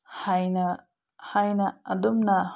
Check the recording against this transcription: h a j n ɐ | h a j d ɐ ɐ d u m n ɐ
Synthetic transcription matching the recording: h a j n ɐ | h a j n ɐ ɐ d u m n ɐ